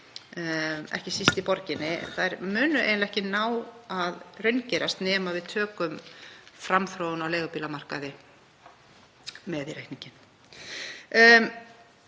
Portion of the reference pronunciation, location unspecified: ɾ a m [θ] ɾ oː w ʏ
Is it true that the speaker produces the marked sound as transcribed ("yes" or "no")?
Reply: yes